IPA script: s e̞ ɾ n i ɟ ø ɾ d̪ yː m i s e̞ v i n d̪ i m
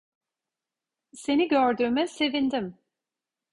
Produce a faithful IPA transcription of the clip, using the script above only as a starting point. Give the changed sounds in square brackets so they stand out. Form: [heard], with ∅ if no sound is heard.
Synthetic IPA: s e̞ [∅] n i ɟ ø ɾ d̪ yː m [ɛ] s e̞ v i n d̪ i m